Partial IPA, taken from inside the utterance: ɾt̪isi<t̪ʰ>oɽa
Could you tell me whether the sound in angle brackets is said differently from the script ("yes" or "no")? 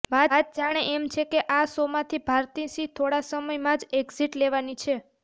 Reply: no